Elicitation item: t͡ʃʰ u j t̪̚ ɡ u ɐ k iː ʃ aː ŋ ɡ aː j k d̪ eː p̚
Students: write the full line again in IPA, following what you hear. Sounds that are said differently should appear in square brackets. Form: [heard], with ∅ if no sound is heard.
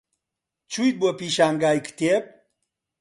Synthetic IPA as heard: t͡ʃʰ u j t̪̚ [b] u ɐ [p] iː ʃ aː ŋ ɡ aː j k [t̪] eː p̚

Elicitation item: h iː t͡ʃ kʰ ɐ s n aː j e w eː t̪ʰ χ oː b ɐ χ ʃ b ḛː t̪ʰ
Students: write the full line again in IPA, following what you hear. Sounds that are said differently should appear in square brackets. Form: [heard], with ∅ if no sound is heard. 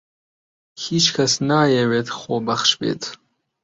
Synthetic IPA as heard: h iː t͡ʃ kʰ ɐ s n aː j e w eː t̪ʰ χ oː b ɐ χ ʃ b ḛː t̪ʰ

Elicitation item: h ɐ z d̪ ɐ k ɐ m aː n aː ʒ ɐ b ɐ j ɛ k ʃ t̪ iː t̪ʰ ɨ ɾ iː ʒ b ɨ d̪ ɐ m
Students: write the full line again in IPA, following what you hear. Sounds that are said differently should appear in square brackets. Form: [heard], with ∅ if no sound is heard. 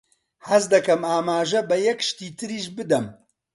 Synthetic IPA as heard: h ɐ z d̪ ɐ k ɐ m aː [m] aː ʒ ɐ b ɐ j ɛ k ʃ t̪ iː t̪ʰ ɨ ɾ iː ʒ b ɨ d̪ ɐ m

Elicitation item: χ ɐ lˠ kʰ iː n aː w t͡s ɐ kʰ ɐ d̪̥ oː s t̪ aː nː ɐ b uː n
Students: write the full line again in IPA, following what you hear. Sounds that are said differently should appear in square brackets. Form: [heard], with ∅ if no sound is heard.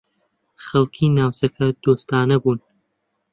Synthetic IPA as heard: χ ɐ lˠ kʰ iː n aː w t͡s ɐ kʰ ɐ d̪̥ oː s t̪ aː [n] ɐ b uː n

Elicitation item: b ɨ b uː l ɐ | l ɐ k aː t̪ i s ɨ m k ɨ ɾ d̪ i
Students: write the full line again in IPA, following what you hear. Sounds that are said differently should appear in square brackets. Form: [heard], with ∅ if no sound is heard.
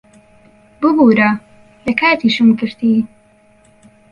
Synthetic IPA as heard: b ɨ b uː [ɾ] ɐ | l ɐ k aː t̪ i [ʃ] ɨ m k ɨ ɾ [t̪] i

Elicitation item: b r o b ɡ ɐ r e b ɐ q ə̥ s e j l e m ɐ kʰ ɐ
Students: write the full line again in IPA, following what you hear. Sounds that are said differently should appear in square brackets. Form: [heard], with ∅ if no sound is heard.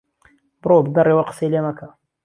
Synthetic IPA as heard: b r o b ɡ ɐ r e [w] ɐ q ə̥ s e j l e m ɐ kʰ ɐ

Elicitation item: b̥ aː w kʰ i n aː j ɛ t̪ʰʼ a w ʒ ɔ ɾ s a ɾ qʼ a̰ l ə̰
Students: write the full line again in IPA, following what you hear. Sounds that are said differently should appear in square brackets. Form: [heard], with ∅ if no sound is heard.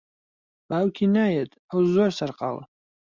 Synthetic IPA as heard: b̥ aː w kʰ i n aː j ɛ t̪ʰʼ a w [z] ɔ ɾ s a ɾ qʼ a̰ l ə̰

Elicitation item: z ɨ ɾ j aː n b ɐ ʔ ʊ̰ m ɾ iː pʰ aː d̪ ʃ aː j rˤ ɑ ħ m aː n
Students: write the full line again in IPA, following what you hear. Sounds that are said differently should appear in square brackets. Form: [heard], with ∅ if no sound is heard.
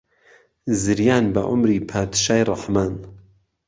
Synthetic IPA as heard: z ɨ ɾ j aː n b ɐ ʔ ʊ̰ m ɾ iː pʰ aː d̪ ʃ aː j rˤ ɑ ħ m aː n

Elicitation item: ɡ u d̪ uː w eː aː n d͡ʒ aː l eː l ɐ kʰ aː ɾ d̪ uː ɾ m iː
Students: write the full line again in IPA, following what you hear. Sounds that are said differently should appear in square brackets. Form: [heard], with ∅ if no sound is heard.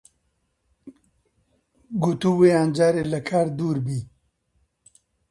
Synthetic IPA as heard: ɡ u [t̪] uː w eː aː n d͡ʒ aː [ɾ] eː l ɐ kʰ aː ɾ d̪ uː ɾ [b] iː

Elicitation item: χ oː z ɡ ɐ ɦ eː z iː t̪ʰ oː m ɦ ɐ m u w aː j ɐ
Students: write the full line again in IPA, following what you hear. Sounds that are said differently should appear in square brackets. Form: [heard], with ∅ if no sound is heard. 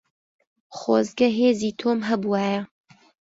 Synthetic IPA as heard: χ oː z ɡ ɐ ɦ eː z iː t̪ʰ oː m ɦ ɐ [b] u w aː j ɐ

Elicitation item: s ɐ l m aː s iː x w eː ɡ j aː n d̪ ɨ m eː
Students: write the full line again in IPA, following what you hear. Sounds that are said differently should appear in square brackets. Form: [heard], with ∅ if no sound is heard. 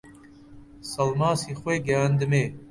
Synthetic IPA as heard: s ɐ l m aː s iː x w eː ɡ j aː n d̪ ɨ m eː

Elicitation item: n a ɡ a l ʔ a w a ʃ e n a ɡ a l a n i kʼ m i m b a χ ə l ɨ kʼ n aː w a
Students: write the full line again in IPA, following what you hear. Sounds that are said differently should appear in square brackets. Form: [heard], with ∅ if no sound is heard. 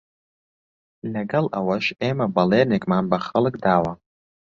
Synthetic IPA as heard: n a ɡ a l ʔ a w a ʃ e [m] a [b] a l [e] n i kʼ m [a] m b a χ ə l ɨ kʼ [d] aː w a

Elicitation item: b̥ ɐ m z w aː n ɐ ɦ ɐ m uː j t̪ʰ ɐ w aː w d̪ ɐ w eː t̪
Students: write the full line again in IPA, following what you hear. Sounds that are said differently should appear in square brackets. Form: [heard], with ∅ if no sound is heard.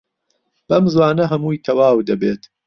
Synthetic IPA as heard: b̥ ɐ m z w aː n ɐ ɦ ɐ m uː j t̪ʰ ɐ w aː w d̪ ɐ [b] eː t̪

